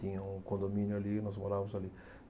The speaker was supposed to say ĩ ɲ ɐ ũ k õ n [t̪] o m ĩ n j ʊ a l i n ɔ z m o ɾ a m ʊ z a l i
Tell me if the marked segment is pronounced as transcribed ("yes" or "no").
no